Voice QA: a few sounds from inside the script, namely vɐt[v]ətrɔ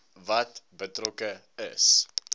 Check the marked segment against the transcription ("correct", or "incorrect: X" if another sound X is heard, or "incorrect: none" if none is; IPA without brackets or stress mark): incorrect: b